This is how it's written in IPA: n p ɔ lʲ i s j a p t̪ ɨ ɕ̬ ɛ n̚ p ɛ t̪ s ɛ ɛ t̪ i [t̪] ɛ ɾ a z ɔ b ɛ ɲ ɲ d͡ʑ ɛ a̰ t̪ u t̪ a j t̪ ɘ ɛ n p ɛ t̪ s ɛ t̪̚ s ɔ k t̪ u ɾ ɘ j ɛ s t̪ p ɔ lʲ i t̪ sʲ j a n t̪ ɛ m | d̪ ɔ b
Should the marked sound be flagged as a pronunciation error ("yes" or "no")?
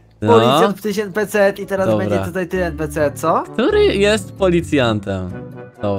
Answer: no